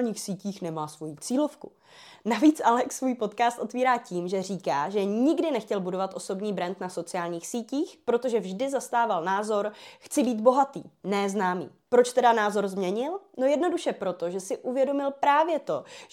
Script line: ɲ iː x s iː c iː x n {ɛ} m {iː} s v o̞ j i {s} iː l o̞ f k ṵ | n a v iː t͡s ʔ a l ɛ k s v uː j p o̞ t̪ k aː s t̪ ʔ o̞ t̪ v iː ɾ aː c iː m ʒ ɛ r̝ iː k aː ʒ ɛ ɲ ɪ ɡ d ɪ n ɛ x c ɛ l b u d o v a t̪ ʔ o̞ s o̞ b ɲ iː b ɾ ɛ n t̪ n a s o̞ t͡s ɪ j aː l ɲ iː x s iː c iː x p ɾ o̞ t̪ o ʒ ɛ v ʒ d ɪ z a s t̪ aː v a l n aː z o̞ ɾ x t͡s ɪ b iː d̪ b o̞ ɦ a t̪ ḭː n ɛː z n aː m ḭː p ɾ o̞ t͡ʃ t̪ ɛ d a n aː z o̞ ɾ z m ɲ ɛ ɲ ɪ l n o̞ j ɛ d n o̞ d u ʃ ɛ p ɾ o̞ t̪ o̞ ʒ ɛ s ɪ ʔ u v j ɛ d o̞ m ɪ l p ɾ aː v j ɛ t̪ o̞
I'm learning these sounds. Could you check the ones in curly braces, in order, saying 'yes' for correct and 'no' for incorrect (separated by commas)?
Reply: yes, no, no